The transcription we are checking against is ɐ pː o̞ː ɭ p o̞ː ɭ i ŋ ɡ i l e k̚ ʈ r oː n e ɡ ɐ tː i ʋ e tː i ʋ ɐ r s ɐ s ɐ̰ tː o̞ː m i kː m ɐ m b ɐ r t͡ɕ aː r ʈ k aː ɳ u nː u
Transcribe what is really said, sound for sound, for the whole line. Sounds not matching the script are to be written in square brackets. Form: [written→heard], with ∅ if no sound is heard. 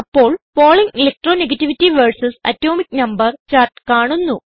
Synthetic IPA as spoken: ɐ pː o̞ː ɭ p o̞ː ɭ i ŋ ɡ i l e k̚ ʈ r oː n e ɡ ɐ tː i ʋ [e→i] tː i ʋ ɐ r s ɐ s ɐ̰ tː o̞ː m i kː [m→n] ɐ m b ɐ r t͡ɕ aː r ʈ k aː ɳ u nː u